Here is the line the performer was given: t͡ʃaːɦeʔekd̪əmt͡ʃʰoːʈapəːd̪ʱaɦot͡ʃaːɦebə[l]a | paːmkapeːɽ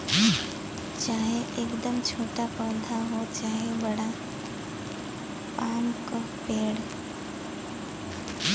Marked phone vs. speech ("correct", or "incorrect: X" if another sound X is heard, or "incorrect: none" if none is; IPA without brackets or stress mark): incorrect: ɽ